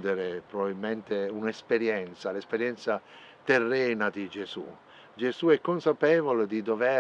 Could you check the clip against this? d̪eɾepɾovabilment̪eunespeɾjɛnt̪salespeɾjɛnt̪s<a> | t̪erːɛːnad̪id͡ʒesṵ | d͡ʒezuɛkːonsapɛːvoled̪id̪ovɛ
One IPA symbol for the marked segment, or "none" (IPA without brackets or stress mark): a